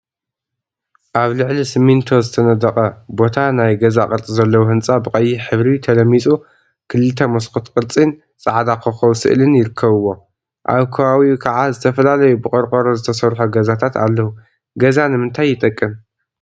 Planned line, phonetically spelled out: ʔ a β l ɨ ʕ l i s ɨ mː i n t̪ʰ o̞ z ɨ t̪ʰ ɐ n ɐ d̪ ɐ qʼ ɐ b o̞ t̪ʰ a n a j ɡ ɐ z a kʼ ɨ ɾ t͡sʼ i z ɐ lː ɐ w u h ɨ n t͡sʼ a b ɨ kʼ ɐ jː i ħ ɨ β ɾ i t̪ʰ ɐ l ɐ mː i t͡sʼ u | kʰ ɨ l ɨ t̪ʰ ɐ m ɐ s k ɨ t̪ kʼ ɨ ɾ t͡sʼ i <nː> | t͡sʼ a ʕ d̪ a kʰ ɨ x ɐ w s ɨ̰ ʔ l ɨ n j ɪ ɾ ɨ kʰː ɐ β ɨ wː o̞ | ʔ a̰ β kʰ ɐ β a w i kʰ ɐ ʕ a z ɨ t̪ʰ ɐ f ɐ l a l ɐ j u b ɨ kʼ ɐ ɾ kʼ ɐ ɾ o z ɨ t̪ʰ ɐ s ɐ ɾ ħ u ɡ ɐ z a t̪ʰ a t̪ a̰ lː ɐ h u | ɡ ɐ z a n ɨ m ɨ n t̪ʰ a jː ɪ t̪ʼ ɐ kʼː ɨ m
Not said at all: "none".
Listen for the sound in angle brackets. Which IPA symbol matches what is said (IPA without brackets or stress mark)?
n